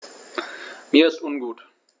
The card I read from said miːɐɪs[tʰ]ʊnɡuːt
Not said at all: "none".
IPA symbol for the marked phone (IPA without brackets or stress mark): t